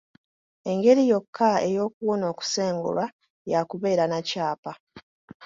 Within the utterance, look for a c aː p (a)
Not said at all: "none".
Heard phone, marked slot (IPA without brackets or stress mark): a